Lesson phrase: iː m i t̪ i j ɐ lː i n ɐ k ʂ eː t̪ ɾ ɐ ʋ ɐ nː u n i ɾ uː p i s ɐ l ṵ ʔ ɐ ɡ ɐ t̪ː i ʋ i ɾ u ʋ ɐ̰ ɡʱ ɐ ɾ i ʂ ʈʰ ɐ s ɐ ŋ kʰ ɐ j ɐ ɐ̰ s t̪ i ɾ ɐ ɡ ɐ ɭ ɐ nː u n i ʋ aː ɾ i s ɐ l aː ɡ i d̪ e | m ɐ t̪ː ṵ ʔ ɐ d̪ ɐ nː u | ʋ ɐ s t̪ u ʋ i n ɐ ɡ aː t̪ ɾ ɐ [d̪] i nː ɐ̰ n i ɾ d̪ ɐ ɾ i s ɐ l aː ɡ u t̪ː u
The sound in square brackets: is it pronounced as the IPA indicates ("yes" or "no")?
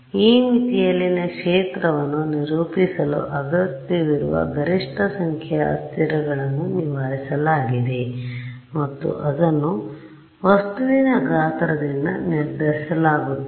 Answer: yes